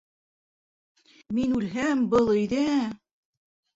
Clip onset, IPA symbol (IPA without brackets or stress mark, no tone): m